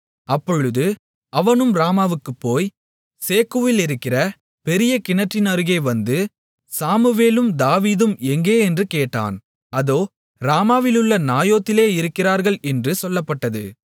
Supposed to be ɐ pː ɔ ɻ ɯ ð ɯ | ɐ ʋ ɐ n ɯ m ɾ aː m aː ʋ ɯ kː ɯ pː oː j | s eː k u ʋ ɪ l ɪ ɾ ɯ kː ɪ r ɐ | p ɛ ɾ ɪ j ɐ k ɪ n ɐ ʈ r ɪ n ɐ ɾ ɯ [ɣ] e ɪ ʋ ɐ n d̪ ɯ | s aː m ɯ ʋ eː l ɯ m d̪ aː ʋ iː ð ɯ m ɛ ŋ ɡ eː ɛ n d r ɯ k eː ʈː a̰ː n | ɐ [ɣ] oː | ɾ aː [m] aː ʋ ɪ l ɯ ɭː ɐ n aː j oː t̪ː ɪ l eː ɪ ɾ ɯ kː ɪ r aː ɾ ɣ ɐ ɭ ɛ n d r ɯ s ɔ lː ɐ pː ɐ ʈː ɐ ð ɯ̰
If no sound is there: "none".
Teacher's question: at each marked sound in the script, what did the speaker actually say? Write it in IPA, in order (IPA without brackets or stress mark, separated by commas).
ɣ, ð, m